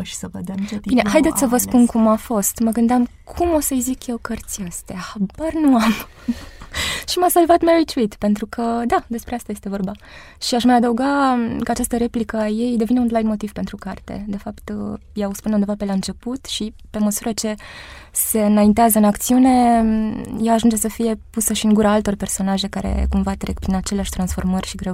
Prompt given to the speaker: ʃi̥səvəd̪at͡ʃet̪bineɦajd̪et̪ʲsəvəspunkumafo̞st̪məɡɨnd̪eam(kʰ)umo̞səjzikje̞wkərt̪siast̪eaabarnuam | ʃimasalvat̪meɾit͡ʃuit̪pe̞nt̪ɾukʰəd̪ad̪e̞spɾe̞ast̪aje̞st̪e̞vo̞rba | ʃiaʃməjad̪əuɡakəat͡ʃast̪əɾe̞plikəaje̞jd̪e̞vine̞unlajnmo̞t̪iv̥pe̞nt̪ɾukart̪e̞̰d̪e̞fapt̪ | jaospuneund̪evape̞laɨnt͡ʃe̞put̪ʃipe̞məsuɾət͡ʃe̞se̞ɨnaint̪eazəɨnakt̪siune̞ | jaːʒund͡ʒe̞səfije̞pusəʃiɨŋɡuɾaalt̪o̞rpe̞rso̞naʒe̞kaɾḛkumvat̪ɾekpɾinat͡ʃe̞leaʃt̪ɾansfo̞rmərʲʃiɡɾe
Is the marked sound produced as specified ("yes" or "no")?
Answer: yes